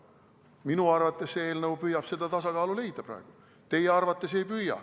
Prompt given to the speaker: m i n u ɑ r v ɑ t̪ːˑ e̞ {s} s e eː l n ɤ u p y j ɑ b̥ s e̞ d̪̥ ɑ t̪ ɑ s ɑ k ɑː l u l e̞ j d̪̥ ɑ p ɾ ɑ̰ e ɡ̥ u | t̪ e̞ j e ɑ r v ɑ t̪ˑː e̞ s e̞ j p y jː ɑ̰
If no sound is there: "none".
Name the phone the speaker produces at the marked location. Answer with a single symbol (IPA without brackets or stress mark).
s